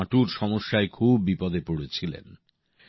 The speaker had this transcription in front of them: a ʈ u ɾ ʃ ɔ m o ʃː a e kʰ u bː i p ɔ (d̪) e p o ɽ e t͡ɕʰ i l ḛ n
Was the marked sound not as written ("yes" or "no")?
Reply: no